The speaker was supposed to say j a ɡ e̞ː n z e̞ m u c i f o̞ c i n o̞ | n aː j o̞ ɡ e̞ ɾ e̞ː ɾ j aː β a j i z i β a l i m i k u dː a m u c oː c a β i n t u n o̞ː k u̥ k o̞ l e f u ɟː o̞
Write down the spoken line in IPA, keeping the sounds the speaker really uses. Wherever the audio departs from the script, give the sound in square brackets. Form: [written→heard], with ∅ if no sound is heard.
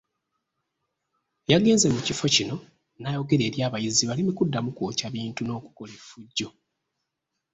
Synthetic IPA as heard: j a ɡ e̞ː n z e̞ m u c i f o̞ c i n o̞ | n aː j o̞ ɡ e̞ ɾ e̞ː ɾ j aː β a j i z i β a l i m i k u dː a m u [c→k] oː c a β [i→iː] n t u n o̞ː k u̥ k o̞ l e f u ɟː o̞

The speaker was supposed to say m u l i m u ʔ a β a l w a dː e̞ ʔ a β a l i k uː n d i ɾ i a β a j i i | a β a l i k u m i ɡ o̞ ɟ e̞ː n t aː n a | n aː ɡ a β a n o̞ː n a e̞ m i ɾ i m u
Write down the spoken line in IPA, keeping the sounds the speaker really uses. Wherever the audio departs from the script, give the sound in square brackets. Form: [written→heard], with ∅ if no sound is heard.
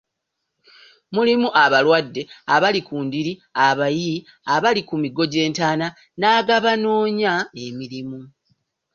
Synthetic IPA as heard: m u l i m u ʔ a β a l w a dː e̞ [ʔ→∅] a β a l i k uː n d i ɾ i a β a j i i | a β a l i k u m i ɡ o̞ ɟ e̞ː n t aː n a | n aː ɡ a β a n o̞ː [n→ɲ] a e̞ m i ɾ i m u

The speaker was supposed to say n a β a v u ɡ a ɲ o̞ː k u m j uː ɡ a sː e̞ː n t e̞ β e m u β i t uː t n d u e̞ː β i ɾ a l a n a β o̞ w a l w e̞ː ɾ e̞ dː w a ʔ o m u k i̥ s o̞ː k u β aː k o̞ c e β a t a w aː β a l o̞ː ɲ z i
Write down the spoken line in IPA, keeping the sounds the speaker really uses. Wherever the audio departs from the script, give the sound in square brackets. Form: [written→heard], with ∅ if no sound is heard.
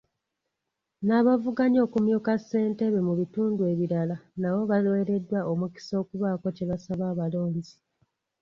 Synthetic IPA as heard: n a β a v u ɡ a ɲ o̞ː k u m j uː [ɡ→k] a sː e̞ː n t e̞ β e m u β i t uː [t→∅] n d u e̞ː β i ɾ a l a n a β o̞ [w→β] a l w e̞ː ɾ e̞ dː w a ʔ o m u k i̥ s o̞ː k u β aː k o̞ c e β a [t→s] a [w→β] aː β a l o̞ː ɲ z i

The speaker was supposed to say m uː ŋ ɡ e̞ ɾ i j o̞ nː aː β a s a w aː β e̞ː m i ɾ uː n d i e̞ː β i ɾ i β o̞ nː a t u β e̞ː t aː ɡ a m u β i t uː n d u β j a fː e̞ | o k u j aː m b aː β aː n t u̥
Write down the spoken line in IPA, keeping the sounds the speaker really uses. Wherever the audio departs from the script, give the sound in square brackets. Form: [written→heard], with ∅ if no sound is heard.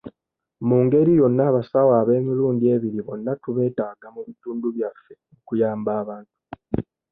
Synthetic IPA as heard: m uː ŋ ɡ e̞ ɾ i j o̞ nː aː β a s a w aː β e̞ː m i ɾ uː n d i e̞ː β i ɾ i β o̞ nː a t u β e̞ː t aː ɡ a m u β i t uː n d u β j a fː e̞ | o k u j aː m b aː β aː n t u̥

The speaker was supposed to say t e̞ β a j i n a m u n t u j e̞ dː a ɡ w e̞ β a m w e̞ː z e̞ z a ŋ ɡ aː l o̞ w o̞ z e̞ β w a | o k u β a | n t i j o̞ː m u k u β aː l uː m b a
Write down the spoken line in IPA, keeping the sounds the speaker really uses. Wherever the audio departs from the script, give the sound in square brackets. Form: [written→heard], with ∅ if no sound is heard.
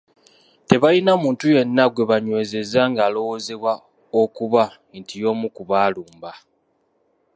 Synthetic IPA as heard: t e̞ β a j i n a m [u→uː] n t u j e̞ [dː→nː] a ɡ w e̞ β a [m→ɲ] w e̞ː z e̞ z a ŋ ɡ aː l o̞ w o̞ z e̞ β w a | o k u β a | n t i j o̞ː m u k u β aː l uː m b a

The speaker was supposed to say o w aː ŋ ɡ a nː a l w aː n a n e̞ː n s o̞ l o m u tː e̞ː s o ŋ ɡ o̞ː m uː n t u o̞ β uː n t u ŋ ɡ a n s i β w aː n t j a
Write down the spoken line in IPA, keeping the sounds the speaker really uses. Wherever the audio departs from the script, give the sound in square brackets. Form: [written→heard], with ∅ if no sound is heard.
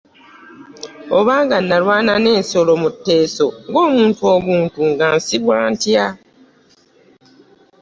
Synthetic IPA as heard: o [w→β] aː ŋ ɡ a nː a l w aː n a n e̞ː n s o̞ l o m u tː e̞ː s o ŋ ɡ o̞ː m uː n t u o̞ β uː n t u ŋ ɡ a n s i β w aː n t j a

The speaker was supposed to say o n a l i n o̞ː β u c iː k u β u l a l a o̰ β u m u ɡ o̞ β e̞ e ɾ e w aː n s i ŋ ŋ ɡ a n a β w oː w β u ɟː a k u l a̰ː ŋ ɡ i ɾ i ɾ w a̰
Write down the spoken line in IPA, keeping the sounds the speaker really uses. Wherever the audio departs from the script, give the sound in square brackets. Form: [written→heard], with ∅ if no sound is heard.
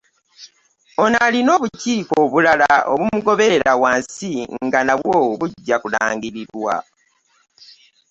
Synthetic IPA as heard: o n a l i n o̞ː β u c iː k [u→o] β u l a l a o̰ β u m u ɡ o̞ β e̞ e ɾ [e→a] w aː n s i ŋ ŋ ɡ a n a β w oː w β u ɟː a k u l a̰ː ŋ ɡ i ɾ i ɾ w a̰

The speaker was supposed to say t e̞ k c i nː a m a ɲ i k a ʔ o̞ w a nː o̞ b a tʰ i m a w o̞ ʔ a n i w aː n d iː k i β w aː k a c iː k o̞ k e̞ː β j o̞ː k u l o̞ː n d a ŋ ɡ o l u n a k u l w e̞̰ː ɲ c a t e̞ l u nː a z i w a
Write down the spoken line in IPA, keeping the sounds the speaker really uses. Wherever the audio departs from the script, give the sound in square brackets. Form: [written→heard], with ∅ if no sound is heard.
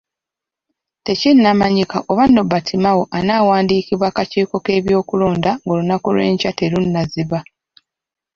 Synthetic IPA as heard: t e̞ [k→∅] c i nː a m a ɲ i k a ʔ o̞ [w→β] a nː o̞ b a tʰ i m a w o̞ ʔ a n [i→a] w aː n d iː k i β w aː k a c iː k o̞ k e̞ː β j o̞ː k u l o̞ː n d a ŋ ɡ o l u n a k u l w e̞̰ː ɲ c a t e̞ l u nː a z i [w→β] a

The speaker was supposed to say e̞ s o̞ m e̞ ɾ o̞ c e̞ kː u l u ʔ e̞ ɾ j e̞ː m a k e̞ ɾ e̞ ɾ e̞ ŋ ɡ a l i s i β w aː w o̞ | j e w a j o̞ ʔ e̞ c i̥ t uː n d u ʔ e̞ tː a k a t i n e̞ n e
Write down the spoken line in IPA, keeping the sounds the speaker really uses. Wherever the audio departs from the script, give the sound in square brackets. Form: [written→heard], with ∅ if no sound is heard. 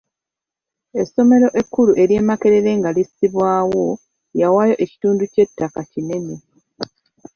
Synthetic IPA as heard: e̞ s o̞ m e̞ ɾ o̞ [c→ʔ] e̞ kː u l u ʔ e̞ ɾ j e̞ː m a k e̞ ɾ e̞ ɾ e̞ ŋ ɡ a l i s i β w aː w o̞ | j [e→a] w a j o̞ ʔ e̞ c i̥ t uː n d u [ʔ→c] e̞ tː a k a [t→c] i n e̞ n e

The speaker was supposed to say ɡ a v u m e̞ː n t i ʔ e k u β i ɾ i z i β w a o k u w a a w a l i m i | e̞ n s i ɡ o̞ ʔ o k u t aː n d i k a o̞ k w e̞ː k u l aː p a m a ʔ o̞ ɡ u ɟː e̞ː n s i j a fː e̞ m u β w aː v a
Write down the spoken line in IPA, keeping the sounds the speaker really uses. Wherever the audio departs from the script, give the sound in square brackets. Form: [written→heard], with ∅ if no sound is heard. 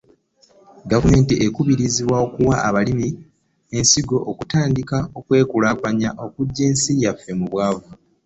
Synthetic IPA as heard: ɡ a v u m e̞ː n t i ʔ e k u β i ɾ i z i β w a o k u w a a [w→β] a l i m i | e̞ n s i ɡ o̞ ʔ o k u t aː n d i k a o̞ k w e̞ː k u l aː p a [m→ɲ] a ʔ o̞ [ɡ→k] u ɟː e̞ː n s i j a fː e̞ m u β w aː v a

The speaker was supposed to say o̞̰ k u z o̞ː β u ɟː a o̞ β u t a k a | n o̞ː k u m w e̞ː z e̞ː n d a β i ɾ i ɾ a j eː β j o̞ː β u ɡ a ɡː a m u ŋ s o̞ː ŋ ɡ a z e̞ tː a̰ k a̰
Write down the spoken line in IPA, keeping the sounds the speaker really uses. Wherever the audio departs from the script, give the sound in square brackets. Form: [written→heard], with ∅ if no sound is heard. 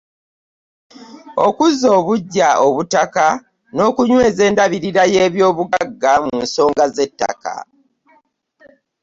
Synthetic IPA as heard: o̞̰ k u z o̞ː β u ɟː a o̞ β u t a k a | n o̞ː k u [m→ɲ] w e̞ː z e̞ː n d a β i ɾ i ɾ a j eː β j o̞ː β u ɡ a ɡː a m u [ŋ→n] s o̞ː ŋ ɡ a z e̞ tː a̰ k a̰

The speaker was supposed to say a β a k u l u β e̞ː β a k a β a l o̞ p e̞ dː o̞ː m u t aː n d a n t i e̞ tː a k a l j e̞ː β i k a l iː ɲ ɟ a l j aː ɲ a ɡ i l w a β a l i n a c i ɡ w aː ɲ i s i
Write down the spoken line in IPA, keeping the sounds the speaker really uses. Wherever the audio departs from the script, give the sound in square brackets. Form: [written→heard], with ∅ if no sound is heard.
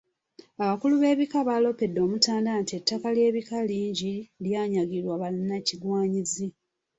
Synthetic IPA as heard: a β a k u l u β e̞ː β [a→i] k a β a l o̞ p e̞ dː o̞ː m u t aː n d a n t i e̞ tː a k a l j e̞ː β i k a l iː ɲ ɟ [a→i] l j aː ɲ a ɡ i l w a β a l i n a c i ɡ w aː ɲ i [s→z] i

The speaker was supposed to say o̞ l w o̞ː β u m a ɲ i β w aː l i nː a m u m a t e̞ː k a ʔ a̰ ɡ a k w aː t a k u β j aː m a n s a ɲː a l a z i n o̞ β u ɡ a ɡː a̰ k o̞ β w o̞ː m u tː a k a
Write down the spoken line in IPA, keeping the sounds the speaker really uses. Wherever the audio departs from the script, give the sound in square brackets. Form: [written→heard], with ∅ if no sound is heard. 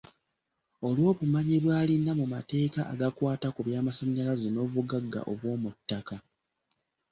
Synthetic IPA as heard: o̞ l w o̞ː β u m a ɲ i β w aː l i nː a m u m a t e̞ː k a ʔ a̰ ɡ a k w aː t a k u β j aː m a [n→∅] s a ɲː a l a z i n o̞ β u ɡ a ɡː a̰ [k→ʔ] o̞ β w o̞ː m u tː a k a

